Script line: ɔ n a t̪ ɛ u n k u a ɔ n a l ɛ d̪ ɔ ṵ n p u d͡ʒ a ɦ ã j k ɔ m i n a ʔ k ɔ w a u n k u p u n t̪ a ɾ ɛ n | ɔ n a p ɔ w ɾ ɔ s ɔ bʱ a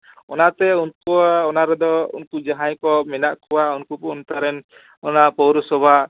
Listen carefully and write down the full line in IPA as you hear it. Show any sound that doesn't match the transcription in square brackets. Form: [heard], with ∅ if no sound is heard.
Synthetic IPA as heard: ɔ n a t̪ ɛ u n k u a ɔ n a [ɾ] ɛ d̪ ɔ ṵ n [k] u d͡ʒ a ɦ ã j k ɔ m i n a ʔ k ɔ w a u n k u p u n t̪ a ɾ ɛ n | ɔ n a p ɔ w ɾ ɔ s ɔ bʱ a